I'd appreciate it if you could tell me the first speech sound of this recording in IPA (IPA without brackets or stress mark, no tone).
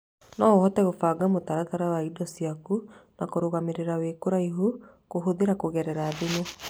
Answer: n